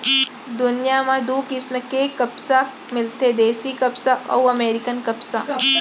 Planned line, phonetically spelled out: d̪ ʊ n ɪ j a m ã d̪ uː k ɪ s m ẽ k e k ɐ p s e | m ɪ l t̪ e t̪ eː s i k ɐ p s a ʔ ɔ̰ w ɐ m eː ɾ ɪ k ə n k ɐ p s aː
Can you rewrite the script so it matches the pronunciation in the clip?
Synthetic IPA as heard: d̪ ʊ n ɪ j a m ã d̪ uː k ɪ s m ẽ k e k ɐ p s a | m ɪ l t̪ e d̪ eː s i k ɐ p s a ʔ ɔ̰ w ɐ m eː ɾ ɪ k ə n k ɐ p s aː